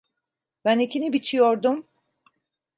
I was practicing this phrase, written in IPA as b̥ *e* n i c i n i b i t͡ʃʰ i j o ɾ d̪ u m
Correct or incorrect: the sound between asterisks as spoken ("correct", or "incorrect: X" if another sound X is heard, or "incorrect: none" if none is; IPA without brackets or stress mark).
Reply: incorrect: æ